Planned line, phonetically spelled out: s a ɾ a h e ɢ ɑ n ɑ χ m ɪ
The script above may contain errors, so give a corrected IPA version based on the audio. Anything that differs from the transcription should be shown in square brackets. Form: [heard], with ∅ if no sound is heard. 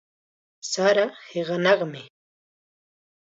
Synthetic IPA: s a ɾ a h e ɢ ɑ n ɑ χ m ɪ